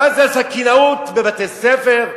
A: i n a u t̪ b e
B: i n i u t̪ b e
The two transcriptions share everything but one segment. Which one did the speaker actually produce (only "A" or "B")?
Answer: A